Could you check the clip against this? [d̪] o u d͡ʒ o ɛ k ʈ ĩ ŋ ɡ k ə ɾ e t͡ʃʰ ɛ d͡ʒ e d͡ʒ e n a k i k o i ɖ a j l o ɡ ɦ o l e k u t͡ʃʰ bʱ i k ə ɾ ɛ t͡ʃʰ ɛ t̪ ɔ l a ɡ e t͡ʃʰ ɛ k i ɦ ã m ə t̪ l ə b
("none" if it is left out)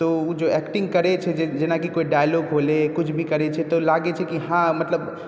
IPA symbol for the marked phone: t̪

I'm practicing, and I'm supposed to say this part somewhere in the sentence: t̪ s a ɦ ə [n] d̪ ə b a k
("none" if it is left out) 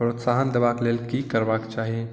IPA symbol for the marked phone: n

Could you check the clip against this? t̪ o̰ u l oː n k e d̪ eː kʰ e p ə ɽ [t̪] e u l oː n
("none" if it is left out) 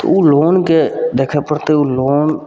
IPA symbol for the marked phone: t̪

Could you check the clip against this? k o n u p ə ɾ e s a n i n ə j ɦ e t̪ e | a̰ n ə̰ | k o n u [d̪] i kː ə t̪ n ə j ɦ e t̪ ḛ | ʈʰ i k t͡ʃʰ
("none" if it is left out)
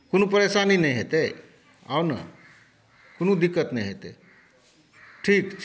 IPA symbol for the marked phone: d̪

